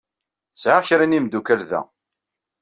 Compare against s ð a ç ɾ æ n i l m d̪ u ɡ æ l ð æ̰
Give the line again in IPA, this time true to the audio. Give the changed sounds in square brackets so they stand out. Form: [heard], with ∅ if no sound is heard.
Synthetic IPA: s [ʕ] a ç ɾ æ n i [∅] m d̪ u [k] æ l ð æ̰